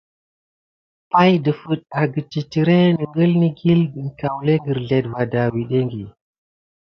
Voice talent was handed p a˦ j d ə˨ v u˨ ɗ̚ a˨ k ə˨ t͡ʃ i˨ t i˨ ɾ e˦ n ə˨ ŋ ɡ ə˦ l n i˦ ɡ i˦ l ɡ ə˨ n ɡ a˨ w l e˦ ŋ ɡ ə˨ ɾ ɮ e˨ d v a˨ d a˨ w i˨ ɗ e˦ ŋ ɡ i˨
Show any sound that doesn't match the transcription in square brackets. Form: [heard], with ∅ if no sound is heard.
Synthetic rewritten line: p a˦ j d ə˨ [f] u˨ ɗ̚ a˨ [ɡ] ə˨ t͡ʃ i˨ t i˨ ɾ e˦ n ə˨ ŋ ɡ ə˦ l n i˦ ɡ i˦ l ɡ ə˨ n [k] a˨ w l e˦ ŋ ɡ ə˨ ɾ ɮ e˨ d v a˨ d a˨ w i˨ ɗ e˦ ŋ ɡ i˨